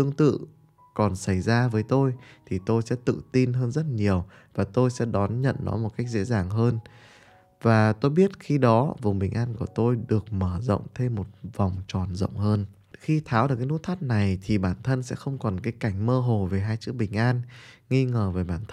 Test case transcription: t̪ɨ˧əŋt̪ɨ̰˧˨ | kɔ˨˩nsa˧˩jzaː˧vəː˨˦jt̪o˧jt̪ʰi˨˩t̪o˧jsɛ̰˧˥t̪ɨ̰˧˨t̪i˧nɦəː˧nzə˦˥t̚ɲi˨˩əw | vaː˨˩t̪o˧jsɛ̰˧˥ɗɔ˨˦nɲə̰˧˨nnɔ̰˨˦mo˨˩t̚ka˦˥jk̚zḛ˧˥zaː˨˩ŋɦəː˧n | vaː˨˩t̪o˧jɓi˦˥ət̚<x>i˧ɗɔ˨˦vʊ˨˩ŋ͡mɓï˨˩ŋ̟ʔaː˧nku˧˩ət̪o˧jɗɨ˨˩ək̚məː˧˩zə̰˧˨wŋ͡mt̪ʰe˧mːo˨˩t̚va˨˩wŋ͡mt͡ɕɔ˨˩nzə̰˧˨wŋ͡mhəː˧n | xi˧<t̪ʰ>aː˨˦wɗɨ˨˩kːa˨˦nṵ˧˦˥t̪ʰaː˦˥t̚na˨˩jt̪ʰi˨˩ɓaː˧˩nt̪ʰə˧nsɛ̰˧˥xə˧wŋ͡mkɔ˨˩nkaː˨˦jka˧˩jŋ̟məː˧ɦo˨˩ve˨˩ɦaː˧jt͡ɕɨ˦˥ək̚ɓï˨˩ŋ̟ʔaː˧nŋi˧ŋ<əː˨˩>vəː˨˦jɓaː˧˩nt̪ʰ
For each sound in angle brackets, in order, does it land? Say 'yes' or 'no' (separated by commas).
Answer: yes, yes, yes